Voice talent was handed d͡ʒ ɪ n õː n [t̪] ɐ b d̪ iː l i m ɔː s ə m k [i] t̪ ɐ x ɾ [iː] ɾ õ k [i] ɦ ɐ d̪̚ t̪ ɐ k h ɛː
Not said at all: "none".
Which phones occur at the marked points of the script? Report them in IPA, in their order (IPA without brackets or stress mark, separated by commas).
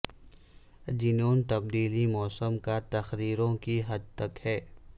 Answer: t̪, a, iː, i